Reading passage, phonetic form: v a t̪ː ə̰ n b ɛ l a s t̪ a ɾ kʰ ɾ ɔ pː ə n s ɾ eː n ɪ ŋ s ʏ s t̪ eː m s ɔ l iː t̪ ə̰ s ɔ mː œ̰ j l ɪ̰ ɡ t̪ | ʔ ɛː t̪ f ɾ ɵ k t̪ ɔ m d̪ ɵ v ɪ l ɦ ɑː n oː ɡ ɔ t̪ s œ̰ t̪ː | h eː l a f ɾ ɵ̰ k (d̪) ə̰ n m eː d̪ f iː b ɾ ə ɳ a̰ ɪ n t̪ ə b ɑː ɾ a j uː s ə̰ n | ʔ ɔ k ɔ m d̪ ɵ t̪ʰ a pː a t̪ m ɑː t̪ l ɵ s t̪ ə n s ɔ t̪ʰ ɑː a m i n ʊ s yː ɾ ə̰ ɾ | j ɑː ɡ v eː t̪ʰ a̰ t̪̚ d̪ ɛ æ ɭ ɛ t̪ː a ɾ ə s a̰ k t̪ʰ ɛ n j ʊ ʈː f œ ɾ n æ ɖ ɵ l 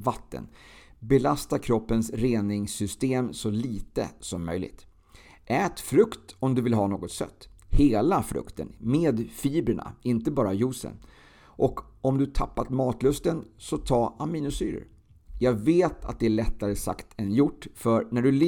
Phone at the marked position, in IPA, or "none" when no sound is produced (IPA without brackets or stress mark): t̪